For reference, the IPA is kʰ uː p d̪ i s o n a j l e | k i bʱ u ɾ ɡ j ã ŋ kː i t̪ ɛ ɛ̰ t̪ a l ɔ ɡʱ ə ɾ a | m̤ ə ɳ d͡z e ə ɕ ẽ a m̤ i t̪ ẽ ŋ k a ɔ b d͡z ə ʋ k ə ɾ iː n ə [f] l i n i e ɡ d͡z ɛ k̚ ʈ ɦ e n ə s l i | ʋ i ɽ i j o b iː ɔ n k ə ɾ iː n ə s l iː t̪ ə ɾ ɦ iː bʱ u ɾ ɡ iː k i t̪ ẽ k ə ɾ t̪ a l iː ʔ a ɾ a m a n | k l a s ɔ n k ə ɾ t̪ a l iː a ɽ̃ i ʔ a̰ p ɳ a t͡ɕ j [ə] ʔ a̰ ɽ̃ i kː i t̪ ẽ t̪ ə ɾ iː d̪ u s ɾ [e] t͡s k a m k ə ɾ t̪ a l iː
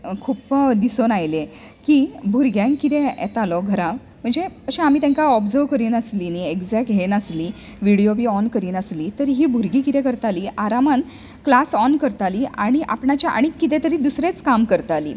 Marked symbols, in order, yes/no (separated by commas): no, no, yes